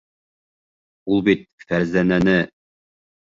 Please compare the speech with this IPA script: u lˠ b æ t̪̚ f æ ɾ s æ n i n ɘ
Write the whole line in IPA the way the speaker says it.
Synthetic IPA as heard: u lˠ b i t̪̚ f æ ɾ z æ n æ n ɘ